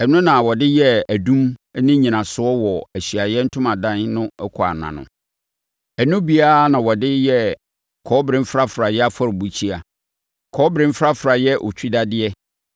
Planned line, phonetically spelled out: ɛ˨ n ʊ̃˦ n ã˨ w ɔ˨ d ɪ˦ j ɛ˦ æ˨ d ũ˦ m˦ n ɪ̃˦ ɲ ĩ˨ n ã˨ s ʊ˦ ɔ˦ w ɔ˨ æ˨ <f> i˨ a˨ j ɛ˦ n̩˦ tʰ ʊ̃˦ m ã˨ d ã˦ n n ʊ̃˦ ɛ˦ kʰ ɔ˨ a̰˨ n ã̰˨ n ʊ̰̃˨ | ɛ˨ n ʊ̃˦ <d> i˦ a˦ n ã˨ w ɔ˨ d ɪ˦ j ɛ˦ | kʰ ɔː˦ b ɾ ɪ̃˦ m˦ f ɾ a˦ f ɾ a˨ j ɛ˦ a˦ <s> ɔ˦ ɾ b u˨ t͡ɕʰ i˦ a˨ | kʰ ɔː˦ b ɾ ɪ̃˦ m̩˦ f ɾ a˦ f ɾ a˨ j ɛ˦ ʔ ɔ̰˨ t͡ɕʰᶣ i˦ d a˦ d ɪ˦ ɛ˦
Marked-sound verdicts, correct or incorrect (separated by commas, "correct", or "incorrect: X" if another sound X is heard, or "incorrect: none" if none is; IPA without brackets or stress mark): incorrect: ɕ, incorrect: b, incorrect: f